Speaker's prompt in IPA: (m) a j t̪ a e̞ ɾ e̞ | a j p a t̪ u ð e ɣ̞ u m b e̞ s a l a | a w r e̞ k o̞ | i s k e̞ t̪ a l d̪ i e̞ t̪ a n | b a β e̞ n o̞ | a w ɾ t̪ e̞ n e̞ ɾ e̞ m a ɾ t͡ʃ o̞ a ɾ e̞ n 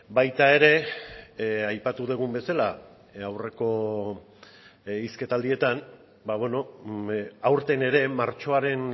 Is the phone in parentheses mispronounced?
yes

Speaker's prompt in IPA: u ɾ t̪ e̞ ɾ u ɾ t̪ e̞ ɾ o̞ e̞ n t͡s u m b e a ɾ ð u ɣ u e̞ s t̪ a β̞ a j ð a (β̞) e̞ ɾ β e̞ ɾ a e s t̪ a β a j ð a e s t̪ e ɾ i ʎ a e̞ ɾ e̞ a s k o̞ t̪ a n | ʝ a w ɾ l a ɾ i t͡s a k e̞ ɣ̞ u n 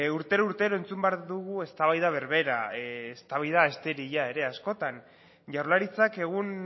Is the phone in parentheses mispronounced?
no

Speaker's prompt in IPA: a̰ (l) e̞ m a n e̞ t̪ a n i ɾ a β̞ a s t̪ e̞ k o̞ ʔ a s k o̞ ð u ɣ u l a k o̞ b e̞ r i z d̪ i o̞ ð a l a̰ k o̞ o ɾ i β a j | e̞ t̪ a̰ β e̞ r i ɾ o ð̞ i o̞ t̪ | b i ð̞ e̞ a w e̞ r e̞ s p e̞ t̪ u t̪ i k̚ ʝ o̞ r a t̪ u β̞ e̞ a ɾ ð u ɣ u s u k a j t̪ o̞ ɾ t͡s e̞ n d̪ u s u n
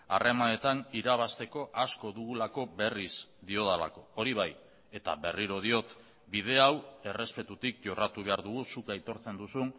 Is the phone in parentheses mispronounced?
yes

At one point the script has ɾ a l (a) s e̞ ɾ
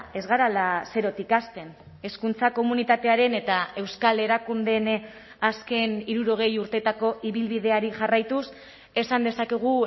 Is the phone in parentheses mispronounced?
no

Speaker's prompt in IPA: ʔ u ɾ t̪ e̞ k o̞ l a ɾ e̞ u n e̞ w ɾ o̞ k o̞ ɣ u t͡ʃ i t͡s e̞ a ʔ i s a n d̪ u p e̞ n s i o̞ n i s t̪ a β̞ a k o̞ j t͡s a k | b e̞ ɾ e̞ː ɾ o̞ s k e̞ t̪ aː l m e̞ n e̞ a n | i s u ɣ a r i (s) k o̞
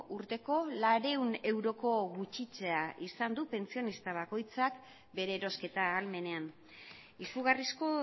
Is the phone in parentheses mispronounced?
no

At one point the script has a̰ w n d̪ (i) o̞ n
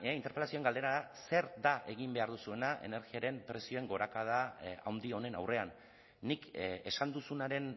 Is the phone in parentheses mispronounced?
no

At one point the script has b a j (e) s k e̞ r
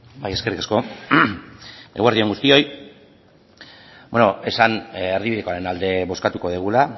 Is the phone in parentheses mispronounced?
no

